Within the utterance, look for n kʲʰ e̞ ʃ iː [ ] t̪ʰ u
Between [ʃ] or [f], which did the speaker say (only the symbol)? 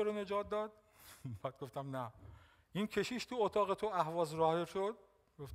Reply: ʃ